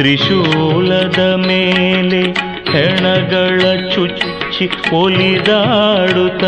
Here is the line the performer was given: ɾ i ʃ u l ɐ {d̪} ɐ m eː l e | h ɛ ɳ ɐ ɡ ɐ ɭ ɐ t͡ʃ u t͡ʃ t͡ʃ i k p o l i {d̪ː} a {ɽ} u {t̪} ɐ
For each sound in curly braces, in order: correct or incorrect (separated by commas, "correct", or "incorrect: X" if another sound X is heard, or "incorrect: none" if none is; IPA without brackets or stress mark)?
correct, incorrect: d̪, correct, correct